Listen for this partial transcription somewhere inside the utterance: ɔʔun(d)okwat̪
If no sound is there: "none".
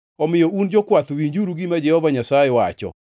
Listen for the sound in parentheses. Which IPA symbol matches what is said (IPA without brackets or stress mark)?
d͡ʒ